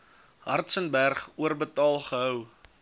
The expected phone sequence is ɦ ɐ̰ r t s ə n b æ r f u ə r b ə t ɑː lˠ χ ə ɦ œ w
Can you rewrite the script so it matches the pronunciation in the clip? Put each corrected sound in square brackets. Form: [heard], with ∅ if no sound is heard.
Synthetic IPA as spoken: ɦ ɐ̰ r t s ə n b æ r [χ] u ə r b ə t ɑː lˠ χ ə ɦ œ w